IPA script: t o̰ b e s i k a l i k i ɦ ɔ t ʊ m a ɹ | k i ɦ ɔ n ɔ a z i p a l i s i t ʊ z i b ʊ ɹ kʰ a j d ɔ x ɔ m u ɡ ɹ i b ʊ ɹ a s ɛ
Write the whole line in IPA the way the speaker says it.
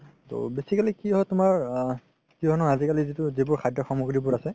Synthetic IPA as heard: t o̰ b e s i k a l i k i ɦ ɔ t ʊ m a ɹ | k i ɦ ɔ n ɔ a z i k a l i z i t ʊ z i b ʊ ɹ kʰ a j d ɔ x ɔ m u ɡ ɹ i b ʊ ɹ a s ɛ

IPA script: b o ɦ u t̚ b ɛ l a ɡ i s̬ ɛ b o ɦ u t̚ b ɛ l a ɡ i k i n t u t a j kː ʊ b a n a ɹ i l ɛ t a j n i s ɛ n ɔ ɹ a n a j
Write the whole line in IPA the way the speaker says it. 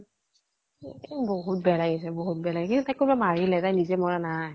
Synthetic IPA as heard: b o ɦ u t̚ b ɛ l a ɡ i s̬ ɛ b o ɦ u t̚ b ɛ l a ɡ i k i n t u t a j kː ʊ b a m a ɹ i l ɛ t a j n i z ɛ m ɔ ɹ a n a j

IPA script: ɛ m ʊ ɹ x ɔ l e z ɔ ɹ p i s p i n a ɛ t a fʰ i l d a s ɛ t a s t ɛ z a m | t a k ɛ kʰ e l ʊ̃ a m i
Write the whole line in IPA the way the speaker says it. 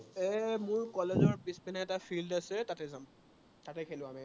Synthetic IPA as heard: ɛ m ʊ ɹ k ɔ l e z ɔ ɹ p i s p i n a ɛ t a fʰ i l d a s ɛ t a t ɛ z a m | t a t ɛ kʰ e l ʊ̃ a m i

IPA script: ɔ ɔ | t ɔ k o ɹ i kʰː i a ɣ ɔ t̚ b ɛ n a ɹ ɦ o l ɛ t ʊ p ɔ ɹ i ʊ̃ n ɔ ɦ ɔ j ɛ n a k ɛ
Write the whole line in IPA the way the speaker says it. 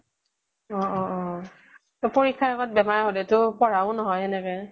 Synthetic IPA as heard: ɔ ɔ | t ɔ p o ɹ i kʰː a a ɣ ɔ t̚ b ɛ m a ɹ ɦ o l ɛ t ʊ p ɔ ɹ a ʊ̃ n ɔ ɦ ɔ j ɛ n ɛ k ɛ

